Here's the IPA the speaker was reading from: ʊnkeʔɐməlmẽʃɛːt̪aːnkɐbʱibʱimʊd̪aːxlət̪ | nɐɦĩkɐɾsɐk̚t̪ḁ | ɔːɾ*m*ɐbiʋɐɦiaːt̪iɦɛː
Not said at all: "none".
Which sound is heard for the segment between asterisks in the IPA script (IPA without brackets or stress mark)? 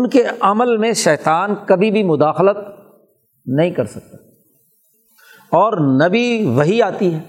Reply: n